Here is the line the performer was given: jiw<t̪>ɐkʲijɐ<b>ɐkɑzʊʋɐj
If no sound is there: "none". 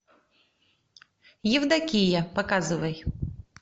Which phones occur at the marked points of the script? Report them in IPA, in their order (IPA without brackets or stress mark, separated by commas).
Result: d̪, p